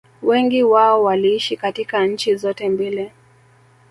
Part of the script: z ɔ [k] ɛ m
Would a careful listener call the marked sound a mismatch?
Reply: yes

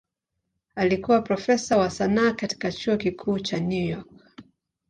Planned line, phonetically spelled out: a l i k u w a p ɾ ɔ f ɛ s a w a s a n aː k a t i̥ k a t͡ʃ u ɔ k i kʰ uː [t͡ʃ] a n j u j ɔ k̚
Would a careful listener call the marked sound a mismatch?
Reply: no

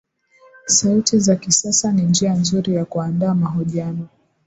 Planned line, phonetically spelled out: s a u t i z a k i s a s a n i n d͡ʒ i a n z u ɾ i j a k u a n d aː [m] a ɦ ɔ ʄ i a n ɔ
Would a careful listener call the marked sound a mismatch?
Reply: no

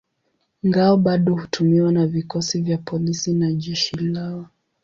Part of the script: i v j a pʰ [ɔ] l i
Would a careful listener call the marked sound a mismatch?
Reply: no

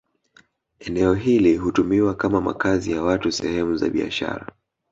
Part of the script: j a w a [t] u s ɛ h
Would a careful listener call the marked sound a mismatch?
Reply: no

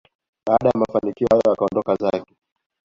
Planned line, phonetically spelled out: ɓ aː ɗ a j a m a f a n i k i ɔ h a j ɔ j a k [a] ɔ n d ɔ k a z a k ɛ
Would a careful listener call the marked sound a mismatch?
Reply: no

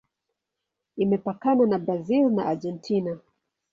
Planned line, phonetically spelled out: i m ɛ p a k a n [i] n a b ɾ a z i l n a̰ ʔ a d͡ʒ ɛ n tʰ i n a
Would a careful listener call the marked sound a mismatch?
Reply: yes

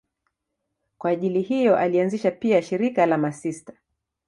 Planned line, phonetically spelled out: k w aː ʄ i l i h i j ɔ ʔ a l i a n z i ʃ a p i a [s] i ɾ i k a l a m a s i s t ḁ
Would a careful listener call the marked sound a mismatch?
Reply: yes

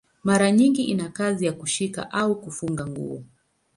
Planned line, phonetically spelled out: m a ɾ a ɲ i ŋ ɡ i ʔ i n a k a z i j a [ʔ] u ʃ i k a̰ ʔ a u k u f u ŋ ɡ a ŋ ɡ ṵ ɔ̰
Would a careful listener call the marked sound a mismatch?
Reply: yes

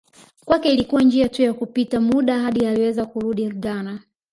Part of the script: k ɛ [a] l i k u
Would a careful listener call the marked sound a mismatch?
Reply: yes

